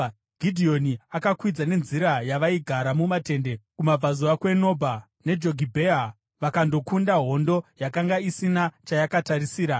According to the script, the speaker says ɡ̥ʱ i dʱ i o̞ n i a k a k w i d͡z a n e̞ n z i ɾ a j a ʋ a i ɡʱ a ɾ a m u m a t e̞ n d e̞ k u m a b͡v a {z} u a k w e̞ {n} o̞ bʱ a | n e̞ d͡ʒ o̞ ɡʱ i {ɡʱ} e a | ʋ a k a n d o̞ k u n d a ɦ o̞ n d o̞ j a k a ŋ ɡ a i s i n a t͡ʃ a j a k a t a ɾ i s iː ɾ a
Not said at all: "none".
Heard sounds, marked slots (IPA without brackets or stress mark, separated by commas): z, n, bʱ